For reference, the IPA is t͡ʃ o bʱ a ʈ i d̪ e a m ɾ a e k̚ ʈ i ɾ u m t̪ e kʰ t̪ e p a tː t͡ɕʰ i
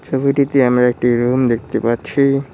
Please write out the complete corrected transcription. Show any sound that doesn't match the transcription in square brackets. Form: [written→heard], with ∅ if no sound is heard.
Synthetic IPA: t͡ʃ o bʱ [a→i] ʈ i [d̪→t̪] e a m ɾ a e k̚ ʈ i ɾ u m [t̪→d̪] e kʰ t̪ e p a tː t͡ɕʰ i